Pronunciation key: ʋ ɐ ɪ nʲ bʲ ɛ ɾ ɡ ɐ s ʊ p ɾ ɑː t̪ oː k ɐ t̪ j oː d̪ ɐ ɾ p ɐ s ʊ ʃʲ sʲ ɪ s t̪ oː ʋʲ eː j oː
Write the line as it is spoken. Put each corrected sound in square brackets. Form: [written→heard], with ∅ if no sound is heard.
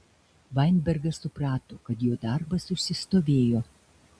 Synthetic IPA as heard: ʋ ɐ ɪ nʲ bʲ ɛ ɾ ɡ ɐ s ʊ p ɾ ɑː t̪ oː k ɐ t̪ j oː d̪ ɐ ɾ [p→b] ɐ s ʊ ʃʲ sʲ ɪ s t̪ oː ʋʲ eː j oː